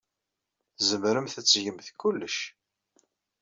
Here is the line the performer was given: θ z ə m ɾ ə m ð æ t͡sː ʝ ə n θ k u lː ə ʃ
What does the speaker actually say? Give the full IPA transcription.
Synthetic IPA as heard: θ z ə m ɾ ə m θ æ t͡sː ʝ ə m θ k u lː ə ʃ